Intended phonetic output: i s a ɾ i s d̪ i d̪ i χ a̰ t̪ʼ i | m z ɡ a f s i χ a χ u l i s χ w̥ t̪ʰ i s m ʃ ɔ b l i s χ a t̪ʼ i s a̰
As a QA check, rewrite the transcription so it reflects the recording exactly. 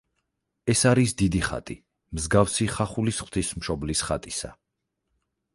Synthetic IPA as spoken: ɛ s a ɾ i s d̪ i d̪ i χ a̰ t̪ʼ i | m z ɡ a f s i χ a χ u l i s χ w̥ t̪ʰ i s m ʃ ɔ b l i s χ a t̪ʼ i s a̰